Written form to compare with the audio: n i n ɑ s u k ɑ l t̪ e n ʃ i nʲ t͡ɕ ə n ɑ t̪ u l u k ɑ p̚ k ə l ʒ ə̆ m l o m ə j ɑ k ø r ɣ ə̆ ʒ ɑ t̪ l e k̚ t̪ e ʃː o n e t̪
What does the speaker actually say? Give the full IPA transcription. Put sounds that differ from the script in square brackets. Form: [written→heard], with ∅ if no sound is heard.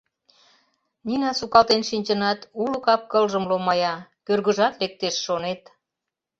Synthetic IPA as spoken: n i n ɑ s u k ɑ l t̪ e n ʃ i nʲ t͡ɕ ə n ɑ t̪ u l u k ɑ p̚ k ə l ʒ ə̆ m l o m [ə→ɑ] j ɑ k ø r ɣ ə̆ ʒ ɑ t̪ l e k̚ t̪ e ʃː o n e t̪